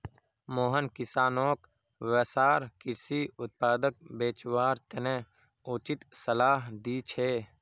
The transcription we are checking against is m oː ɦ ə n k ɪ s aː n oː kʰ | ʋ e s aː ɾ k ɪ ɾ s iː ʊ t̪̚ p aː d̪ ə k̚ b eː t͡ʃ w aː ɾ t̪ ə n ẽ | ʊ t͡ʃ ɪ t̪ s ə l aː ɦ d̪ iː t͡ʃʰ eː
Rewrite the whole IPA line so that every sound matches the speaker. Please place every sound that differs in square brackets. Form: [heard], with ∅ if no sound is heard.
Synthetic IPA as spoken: m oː ɦ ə n k ɪ s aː n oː [k] | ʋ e s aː ɾ k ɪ ɾ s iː ʊ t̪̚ p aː d̪ ə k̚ b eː t͡ʃ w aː ɾ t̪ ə n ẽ | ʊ t͡ʃ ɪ t̪ s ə l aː ɦ d̪ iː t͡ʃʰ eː

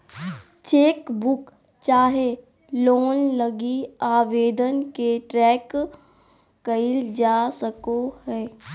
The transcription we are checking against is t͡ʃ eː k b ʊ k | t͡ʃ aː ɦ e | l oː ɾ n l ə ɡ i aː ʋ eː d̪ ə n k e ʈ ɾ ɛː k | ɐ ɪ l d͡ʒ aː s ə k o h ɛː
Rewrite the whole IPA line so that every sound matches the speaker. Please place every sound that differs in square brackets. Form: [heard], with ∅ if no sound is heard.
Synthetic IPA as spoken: t͡ʃ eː k b ʊ k | t͡ʃ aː ɦ e | l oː [∅] n l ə ɡ i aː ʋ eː d̪ ə n k e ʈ ɾ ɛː k | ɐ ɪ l d͡ʒ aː s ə k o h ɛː

